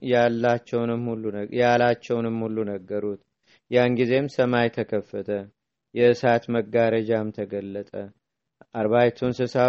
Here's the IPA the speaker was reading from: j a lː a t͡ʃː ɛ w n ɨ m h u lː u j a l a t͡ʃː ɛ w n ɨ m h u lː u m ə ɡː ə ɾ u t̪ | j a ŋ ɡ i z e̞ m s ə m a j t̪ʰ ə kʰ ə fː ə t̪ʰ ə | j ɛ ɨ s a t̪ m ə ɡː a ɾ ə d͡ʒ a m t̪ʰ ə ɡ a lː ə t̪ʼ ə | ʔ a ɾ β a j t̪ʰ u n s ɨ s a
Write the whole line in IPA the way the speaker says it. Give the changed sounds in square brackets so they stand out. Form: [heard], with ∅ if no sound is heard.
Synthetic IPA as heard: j a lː a t͡ʃː ɛ w n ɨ m h u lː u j a l a t͡ʃː ɛ w n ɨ m h u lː u [n] ə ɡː ə ɾ u t̪ | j a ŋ ɡ i z e̞ m s ə m a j t̪ʰ ə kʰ ə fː ə t̪ʰ ə | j ɛ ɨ s a t̪ m ə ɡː a ɾ ə d͡ʒ a m t̪ʰ ə ɡ [ə] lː ə t̪ʼ ə | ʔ a ɾ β a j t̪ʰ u n s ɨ s a